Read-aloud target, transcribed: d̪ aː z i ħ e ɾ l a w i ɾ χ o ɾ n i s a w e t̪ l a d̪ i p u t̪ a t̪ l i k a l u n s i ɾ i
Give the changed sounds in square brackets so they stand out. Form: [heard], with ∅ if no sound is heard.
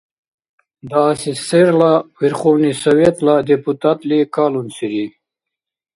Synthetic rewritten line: d̪ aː [s] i [s] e ɾ l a w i ɾ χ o [∅] n i s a w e t̪ l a d̪ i p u t̪ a t̪ l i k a l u n s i ɾ i